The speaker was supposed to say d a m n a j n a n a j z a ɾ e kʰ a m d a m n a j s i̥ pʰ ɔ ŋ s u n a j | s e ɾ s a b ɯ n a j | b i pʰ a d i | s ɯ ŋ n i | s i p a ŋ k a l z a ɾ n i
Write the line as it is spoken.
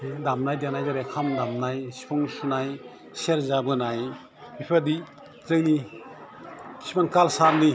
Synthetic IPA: d a m n a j d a n a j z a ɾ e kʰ a m d a m n a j s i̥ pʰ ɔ ŋ s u n a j | s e ɾ z a b ɯ n a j | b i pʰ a d i | z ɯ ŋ n i | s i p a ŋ k a l s a ɾ n i